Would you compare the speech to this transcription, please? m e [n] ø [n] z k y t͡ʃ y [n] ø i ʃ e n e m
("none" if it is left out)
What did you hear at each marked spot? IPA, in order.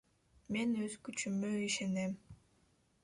n, none, m

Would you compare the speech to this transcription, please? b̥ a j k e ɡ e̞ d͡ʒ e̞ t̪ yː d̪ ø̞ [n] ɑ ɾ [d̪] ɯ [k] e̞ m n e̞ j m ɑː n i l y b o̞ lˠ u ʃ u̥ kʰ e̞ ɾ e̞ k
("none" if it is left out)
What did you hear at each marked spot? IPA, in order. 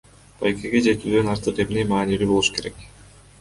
n, t̪, q

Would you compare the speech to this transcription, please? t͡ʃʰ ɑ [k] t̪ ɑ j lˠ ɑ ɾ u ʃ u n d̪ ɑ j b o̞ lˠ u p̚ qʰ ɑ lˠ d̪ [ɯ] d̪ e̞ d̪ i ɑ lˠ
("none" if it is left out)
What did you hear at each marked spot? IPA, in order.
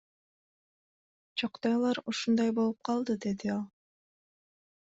q, ɯ

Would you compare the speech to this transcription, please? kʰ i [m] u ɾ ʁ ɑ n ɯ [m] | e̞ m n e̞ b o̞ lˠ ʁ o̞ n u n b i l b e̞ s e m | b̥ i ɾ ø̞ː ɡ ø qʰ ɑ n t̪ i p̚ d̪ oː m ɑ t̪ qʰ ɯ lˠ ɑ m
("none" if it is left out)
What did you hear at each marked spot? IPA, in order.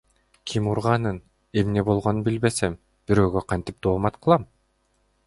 m, n

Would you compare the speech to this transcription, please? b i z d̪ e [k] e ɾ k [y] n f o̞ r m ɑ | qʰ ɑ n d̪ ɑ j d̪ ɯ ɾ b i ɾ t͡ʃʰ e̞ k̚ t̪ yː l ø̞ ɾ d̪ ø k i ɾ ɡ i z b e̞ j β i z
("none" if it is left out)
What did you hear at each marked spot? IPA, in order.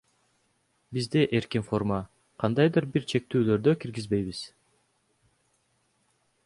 ʔ, i

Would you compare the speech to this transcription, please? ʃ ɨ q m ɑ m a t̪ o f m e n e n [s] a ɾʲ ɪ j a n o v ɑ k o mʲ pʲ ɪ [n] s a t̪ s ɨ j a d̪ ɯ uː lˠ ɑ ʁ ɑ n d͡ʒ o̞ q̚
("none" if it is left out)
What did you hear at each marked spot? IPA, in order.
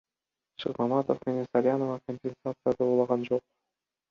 s, n

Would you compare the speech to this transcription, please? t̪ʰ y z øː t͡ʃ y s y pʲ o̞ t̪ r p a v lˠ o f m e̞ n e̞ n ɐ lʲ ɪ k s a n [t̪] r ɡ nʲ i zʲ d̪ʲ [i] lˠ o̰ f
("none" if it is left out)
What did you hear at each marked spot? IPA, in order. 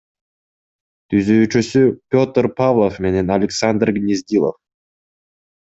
d̪, i

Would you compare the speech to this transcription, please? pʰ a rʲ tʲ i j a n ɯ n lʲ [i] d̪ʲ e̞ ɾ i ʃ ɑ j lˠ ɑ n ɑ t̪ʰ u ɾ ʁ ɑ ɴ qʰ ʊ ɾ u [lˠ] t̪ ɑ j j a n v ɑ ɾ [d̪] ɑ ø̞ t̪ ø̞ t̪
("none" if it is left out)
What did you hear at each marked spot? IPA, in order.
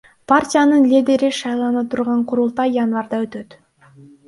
i, lˠ, d̪

